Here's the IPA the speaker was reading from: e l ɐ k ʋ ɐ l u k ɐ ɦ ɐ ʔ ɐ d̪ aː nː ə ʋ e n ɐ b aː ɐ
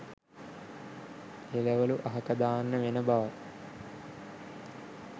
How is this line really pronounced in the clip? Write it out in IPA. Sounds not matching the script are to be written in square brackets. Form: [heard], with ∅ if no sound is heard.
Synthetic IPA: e l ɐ [∅] ʋ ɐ l u [ʔ] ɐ ɦ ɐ [k] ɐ d̪ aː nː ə ʋ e n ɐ b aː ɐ